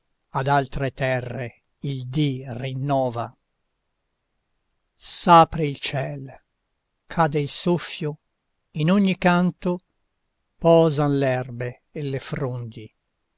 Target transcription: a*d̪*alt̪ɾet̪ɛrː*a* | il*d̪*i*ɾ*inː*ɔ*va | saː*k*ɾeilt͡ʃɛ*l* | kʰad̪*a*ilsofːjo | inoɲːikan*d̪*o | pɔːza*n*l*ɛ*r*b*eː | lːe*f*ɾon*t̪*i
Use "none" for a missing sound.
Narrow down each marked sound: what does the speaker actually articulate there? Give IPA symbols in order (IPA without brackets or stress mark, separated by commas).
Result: d̪, e, d̪, r, ɔː, p, l, e, t̪, n, ɛ, b, f, d̪